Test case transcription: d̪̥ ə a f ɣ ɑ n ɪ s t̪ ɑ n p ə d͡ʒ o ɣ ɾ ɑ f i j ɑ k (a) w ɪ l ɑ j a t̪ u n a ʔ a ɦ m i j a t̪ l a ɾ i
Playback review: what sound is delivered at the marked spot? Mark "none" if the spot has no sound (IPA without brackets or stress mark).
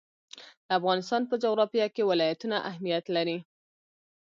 e